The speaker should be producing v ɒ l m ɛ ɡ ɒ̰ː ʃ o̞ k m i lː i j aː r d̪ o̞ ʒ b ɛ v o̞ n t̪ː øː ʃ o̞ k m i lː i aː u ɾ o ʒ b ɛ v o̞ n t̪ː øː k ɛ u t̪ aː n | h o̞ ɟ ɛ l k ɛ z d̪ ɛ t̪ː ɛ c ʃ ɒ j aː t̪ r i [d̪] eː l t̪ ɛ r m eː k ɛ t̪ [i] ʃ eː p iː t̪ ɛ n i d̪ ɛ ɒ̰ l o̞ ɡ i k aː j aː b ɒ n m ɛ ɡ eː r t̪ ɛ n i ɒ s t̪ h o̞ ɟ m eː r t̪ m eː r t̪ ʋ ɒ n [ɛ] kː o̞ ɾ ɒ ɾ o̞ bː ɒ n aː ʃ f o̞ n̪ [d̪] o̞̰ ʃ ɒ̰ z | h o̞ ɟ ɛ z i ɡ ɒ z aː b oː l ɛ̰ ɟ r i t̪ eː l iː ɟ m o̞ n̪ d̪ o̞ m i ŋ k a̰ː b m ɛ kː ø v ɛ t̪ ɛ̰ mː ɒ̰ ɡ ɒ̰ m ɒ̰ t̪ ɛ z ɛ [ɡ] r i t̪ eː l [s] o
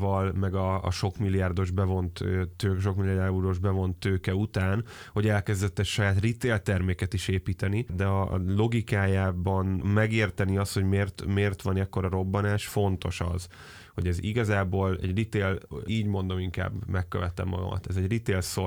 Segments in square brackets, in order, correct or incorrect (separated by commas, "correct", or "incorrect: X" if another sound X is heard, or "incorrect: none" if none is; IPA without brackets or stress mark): incorrect: t̪, correct, correct, incorrect: t̪, incorrect: ɟ, correct